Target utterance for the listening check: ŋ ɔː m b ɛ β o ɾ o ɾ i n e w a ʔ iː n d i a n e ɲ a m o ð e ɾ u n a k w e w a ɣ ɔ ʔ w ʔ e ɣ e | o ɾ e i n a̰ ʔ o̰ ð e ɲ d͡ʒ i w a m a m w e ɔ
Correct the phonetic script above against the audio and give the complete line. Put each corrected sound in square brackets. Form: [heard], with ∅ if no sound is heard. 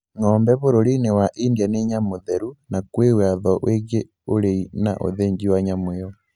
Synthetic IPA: ŋ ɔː m b ɛ β o ɾ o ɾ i n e w a ʔ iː n d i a n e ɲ a m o ð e ɾ u n a k w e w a [ð] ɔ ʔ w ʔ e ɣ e | o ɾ e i n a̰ ʔ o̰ ð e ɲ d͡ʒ i w a [ɲ] a m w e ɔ